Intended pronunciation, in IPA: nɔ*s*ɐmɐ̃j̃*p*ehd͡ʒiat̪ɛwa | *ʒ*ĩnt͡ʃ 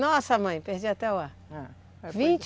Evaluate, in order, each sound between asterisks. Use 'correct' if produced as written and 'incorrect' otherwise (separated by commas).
correct, correct, incorrect